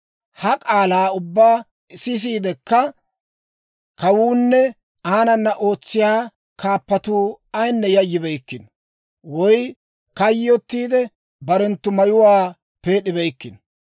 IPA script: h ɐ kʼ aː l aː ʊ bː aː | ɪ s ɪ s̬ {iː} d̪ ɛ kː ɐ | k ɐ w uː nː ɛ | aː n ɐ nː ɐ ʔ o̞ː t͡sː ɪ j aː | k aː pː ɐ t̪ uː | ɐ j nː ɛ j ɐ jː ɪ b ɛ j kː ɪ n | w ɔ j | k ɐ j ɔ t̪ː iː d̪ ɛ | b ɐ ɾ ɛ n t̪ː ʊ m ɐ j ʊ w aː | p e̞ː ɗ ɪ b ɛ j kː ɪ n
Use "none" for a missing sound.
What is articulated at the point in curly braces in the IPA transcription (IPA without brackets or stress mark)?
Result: iː